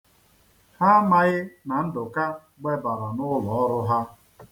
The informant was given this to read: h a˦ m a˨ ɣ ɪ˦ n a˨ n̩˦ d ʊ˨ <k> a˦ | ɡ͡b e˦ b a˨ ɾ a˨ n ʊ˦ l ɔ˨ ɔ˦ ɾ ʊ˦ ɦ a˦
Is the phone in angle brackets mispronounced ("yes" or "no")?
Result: no